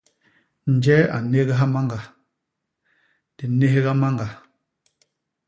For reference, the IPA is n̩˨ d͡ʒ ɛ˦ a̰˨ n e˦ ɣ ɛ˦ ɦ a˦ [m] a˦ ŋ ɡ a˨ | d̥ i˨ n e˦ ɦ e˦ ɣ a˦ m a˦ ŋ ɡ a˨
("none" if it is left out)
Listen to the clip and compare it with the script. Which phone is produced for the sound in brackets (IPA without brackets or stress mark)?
m